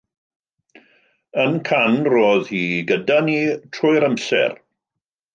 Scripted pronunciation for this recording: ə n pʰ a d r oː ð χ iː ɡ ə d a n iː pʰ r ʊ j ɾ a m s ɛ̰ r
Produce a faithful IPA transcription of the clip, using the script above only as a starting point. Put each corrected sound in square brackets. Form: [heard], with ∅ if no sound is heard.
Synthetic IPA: ə n [kʰ] a [n] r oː ð [h] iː ɡ ə d a n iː [tʰ] r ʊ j ɾ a m s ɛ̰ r